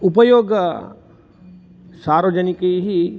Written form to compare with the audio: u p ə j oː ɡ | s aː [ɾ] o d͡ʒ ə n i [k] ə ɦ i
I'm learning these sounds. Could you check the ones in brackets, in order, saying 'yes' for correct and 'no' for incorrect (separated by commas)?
yes, yes